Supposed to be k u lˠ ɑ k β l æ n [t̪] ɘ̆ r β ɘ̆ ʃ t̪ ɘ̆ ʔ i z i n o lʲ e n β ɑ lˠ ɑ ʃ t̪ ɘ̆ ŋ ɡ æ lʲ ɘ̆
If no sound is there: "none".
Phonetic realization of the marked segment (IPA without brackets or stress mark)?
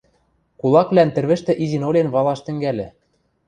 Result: t̪